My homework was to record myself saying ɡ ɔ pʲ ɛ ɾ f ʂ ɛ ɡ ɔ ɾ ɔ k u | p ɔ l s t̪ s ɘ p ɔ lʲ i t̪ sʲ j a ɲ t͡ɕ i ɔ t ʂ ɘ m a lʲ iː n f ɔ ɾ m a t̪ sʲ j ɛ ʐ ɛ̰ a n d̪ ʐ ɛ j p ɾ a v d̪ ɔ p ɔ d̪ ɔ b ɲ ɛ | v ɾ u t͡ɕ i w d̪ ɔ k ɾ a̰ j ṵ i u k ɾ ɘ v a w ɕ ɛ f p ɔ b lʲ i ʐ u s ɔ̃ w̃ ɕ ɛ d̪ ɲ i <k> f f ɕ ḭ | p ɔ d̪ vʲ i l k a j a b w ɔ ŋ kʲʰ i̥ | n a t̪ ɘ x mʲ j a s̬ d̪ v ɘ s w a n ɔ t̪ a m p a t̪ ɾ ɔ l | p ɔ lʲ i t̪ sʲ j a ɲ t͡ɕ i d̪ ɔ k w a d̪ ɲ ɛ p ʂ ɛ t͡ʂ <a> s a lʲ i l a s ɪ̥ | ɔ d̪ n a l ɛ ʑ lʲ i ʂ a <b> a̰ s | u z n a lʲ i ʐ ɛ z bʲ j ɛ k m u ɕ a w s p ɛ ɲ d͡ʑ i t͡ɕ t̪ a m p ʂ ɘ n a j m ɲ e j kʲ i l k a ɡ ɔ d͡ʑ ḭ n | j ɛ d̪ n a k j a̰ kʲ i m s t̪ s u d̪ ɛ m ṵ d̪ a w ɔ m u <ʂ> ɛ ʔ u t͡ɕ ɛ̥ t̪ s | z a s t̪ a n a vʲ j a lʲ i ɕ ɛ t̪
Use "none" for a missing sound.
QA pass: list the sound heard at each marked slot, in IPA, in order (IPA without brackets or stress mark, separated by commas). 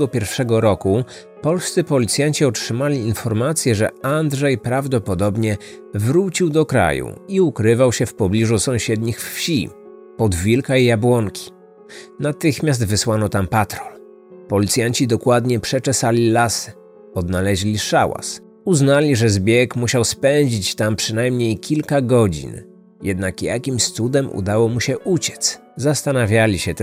x, ɛ, w, ɕ